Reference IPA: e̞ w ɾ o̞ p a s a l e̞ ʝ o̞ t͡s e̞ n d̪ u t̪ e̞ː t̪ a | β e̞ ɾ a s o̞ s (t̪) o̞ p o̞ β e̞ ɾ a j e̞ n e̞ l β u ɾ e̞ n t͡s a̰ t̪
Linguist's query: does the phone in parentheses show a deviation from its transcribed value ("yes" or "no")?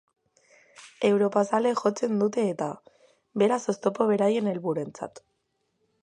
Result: no